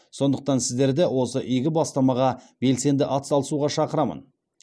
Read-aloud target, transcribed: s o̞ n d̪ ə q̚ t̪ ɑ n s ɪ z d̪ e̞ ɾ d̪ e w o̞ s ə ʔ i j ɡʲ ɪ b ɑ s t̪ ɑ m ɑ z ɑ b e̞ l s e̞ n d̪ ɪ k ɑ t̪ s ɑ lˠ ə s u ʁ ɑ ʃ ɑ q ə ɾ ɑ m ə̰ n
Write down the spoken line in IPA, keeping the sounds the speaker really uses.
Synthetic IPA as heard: s o̞ n d̪ ə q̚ t̪ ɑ n s ɪ z d̪ e̞ ɾ d̪ e w o̞ s ə ʔ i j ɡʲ ɪ b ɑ s t̪ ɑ m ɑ ʁ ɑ b e̞ l s e̞ n d̪ ɪ ʔ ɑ t̪ s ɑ lˠ ə s u ʁ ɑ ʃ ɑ q ə ɾ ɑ m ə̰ n